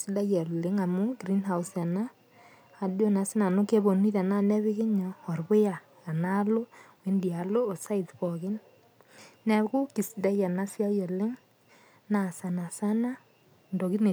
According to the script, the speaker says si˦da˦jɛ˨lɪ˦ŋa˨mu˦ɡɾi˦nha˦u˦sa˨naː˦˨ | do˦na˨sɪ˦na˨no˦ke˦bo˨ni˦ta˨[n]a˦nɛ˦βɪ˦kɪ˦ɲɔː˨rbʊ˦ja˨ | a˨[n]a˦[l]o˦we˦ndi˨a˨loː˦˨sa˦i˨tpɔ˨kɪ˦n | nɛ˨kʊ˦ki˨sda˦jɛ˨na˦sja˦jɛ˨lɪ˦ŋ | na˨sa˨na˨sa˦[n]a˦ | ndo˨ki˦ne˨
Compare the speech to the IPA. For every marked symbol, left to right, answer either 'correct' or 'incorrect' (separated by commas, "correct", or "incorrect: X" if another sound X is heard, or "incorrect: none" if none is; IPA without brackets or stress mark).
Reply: correct, correct, correct, correct